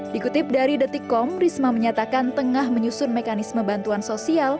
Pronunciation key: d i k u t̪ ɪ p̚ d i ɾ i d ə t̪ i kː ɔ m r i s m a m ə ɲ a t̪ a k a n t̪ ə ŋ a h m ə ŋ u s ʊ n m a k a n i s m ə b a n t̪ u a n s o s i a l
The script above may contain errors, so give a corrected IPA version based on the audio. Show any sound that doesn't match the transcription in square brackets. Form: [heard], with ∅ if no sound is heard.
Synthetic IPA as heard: d i k u t̪ ɪ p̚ d [a] ɾ i d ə t̪ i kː ɔ m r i s m a m ə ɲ a t̪ a k a n t̪ ə ŋ a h m ə [ɲ] u s ʊ n m [e] k a n i s m ə b a n t̪ u a n s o s i a l